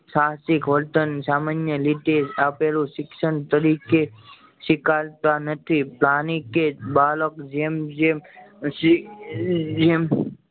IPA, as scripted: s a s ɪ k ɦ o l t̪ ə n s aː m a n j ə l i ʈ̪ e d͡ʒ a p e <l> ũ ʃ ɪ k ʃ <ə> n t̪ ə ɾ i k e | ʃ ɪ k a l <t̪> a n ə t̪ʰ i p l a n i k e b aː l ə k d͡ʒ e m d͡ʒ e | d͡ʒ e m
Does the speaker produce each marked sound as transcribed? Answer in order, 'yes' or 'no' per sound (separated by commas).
yes, yes, yes